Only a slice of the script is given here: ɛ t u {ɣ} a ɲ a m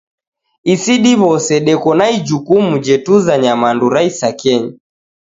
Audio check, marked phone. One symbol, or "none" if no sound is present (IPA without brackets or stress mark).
z